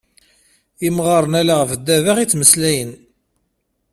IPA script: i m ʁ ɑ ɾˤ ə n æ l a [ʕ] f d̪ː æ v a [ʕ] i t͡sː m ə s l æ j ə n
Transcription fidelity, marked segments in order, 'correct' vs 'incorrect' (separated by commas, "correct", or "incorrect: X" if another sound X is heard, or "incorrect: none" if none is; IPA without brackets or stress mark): incorrect: ʁ, incorrect: ʁ